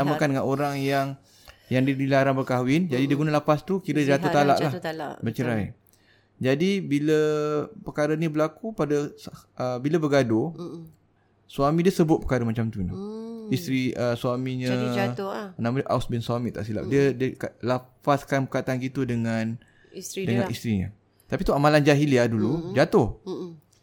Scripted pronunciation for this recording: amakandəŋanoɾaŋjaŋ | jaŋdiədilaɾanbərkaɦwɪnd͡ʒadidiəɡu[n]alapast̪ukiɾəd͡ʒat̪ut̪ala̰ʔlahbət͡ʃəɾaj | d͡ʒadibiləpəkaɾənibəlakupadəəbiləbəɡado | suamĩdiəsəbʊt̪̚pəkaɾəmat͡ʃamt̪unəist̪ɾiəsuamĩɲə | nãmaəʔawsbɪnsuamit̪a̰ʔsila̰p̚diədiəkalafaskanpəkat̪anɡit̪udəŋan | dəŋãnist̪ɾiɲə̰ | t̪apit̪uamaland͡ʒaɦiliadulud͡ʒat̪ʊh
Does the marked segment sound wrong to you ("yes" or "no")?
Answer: no